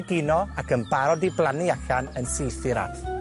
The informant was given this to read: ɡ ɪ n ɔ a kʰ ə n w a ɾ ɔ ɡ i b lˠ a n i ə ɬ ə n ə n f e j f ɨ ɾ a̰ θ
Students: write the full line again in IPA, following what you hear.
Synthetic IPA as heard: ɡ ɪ n ɔ a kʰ ə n b a ɾ ɔ d i b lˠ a n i a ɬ a n ə n s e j θ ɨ ɾ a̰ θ